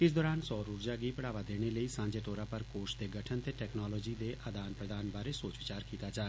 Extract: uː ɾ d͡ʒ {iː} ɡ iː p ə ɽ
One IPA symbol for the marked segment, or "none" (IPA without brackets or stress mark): aː